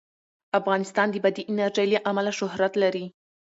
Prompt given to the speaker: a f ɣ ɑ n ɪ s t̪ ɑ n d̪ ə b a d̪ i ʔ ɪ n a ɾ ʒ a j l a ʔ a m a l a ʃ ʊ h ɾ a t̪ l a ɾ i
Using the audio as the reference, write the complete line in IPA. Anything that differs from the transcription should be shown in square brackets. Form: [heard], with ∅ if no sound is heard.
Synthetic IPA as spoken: a f ɣ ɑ n ɪ s t̪ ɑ n d̪ ə b a d̪ i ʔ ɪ n a ɾ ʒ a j l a ʔ a m a l a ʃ ʊ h ɾ a t̪ l a ɾ i